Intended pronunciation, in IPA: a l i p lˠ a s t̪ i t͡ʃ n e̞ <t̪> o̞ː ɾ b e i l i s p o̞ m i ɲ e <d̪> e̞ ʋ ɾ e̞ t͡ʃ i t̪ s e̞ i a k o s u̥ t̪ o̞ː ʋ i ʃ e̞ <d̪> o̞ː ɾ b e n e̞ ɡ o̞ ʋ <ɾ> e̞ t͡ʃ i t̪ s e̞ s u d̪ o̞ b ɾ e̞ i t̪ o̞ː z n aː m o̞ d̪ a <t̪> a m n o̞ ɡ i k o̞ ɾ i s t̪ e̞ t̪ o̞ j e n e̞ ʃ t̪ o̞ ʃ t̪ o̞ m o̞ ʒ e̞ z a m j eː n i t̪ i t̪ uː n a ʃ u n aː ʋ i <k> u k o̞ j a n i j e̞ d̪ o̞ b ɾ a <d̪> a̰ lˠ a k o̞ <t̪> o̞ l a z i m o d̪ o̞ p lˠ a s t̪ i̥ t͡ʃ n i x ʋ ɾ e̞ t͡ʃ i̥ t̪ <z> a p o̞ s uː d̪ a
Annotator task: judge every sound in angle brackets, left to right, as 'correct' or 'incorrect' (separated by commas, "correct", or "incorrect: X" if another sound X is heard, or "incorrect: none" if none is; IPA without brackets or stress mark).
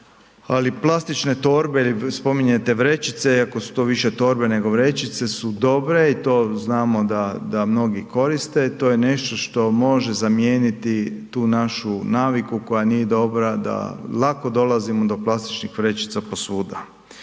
correct, incorrect: t̪, incorrect: t̪, correct, incorrect: d̪, correct, correct, incorrect: d̪, incorrect: s